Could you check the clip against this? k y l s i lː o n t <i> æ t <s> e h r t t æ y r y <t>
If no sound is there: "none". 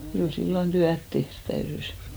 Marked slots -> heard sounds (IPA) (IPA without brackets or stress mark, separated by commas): y, t, s